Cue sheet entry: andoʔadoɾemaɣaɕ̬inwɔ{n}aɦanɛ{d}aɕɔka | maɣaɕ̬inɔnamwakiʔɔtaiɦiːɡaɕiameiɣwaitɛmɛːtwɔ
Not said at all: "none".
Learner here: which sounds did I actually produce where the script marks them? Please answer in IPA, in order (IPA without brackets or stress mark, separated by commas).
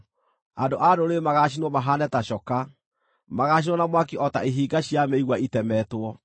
m, t